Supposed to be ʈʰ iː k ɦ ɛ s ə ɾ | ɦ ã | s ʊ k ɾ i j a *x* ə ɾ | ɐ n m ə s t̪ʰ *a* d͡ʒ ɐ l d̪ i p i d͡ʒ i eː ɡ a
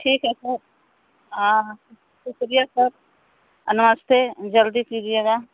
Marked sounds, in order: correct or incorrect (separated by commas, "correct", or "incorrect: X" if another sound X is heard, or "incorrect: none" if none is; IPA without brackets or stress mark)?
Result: incorrect: s, incorrect: e